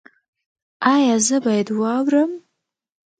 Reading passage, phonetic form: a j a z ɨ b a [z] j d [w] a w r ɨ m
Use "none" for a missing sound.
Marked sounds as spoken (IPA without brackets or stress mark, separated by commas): none, w